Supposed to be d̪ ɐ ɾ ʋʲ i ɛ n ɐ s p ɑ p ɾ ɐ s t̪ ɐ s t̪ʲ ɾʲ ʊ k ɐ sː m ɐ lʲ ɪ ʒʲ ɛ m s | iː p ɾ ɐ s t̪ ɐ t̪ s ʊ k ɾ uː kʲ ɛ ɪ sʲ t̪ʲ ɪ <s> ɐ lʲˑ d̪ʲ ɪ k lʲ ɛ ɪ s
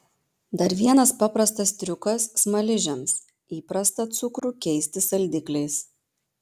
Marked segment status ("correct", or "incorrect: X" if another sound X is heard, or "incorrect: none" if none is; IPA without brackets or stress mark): correct